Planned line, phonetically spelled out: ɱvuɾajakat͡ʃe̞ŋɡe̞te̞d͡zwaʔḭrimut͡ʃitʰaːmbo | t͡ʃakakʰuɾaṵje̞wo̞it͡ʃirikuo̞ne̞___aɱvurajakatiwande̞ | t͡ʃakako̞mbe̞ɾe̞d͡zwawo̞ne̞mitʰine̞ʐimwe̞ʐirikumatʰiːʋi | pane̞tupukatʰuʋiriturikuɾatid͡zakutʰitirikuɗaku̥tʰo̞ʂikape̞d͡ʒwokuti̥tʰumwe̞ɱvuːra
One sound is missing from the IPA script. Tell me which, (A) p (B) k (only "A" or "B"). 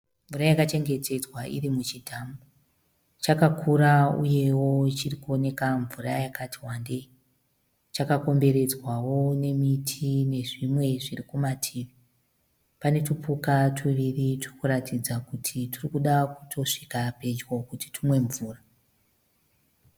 B